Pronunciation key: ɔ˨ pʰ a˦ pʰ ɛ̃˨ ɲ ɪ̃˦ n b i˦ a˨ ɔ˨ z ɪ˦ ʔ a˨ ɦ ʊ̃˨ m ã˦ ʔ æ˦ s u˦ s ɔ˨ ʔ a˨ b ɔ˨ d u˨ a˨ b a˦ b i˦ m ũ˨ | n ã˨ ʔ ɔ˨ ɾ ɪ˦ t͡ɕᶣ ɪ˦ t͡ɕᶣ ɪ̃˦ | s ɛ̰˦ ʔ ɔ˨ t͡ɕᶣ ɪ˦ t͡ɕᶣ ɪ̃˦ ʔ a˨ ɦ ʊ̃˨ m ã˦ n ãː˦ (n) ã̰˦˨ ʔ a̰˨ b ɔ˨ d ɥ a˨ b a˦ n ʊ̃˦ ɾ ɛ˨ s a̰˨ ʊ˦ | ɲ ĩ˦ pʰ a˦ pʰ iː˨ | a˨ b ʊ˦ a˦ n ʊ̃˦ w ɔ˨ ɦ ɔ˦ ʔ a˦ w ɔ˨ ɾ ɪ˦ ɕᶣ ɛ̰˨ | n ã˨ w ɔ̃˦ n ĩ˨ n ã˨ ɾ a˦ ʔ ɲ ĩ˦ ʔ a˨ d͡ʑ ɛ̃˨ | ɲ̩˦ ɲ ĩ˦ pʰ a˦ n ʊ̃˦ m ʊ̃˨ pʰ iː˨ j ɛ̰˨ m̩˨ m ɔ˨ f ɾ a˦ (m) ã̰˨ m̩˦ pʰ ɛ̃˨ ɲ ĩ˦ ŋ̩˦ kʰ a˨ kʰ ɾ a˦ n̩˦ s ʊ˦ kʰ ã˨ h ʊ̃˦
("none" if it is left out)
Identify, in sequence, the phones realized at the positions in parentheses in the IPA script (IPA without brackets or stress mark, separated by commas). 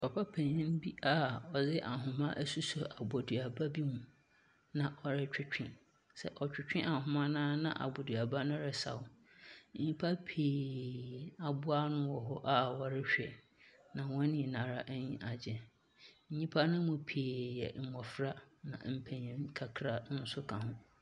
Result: n, n